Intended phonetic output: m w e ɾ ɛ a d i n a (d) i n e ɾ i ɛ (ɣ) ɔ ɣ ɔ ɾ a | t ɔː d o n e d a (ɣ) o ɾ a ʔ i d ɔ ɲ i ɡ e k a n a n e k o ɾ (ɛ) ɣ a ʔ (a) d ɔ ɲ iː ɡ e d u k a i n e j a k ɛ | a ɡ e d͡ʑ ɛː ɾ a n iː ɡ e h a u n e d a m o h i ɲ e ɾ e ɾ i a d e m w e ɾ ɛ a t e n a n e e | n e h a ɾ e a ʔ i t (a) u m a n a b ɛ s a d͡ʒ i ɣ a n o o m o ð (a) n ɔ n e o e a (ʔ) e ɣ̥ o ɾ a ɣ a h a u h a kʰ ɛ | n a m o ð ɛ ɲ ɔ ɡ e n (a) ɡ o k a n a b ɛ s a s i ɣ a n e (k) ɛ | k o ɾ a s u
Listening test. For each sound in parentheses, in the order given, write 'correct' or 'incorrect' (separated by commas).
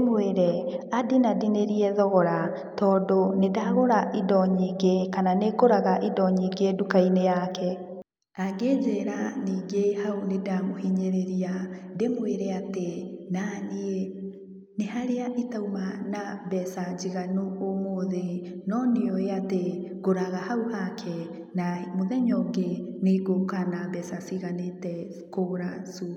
correct, incorrect, correct, incorrect, incorrect, correct, incorrect, incorrect, incorrect, incorrect